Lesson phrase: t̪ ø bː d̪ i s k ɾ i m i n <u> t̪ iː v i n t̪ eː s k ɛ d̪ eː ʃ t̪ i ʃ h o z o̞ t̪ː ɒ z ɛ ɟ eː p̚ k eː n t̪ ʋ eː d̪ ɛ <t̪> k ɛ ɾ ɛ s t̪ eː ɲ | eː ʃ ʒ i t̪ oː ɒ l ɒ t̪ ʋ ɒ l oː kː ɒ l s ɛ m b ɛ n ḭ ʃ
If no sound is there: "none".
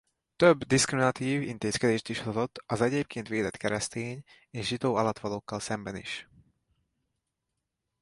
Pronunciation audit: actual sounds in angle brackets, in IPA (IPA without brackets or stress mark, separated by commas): ɒ, t̪